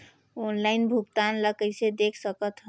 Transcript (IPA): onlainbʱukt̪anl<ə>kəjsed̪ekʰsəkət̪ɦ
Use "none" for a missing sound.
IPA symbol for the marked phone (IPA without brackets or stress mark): ə